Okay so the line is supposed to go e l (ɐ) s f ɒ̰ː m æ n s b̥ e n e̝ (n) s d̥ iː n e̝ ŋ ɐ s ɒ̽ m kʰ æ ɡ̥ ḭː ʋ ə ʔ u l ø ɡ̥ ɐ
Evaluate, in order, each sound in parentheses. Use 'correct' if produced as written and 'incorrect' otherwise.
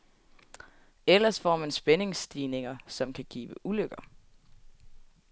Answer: correct, incorrect

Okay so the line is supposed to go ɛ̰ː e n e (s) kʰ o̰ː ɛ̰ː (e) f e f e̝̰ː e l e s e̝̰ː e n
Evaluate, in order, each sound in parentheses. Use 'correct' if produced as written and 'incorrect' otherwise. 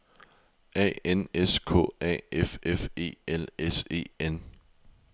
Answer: correct, correct

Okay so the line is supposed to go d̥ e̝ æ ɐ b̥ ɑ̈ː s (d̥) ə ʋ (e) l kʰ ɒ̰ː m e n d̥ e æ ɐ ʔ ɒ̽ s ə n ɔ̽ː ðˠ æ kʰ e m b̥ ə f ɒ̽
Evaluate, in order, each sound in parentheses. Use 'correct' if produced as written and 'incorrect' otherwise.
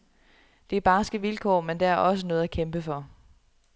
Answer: incorrect, incorrect

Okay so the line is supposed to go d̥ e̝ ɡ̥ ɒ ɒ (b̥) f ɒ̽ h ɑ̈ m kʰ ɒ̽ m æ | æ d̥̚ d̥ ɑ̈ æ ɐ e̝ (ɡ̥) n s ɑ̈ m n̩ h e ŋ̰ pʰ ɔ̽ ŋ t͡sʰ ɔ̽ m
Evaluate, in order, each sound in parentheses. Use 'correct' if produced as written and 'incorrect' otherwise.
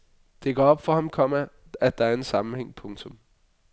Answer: correct, incorrect

